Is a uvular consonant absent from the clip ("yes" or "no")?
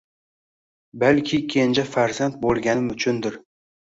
yes